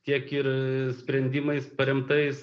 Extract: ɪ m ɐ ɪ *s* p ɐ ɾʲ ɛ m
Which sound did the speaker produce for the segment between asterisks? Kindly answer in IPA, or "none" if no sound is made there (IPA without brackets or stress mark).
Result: s